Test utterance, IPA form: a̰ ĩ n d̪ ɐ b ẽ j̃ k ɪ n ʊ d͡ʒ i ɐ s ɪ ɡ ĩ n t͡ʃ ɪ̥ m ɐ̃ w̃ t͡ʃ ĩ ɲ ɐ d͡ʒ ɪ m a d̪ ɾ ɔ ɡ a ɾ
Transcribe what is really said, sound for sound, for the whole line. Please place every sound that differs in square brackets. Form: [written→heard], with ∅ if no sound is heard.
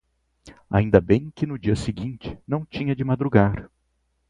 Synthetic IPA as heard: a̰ ĩ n d̪ ɐ b ẽ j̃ k ɪ n ʊ d͡ʒ i ɐ s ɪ ɡ ĩ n t͡ʃ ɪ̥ [m→n] ɐ̃ w̃ t͡ʃ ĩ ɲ ɐ d͡ʒ ɪ m a d̪ ɾ [ɔ→u] ɡ a ɾ